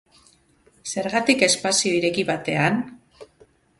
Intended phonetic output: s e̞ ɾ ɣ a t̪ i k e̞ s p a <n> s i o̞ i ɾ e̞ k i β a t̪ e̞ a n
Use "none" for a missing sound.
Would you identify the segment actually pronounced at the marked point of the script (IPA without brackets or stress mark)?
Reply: none